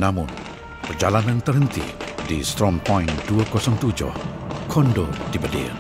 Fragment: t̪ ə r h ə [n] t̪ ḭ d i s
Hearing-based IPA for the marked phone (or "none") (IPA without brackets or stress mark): n